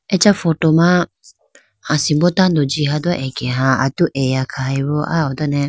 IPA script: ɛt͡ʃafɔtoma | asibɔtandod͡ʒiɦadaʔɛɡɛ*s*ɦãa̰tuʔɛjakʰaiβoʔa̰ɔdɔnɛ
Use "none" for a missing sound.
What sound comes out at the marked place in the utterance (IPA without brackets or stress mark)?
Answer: none